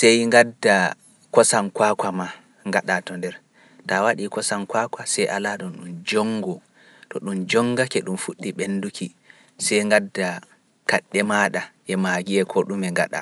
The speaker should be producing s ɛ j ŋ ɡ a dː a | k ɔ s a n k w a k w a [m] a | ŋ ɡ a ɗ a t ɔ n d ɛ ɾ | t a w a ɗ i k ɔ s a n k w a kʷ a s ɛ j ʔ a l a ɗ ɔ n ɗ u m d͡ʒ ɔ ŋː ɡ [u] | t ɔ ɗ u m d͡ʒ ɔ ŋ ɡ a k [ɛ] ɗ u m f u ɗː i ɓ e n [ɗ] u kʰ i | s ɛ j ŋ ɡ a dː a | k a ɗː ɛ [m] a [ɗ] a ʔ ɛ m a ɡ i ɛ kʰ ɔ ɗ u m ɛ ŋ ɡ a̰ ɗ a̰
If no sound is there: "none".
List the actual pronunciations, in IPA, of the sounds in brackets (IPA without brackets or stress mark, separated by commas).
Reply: m, ɔ, ɛ, d, m, ɗ